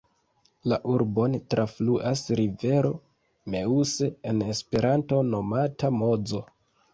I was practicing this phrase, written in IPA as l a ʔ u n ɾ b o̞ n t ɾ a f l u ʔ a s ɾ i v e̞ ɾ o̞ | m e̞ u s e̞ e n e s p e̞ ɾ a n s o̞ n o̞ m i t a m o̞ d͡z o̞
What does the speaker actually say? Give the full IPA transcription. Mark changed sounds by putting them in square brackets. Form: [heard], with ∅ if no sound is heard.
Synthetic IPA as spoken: l a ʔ u [∅] ɾ b o̞ n t ɾ a f l u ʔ a s ɾ i v e̞ ɾ o̞ | m e̞ u s e̞ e n e s p e̞ ɾ a n [t] o̞ n o̞ m [a] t a m o̞ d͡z o̞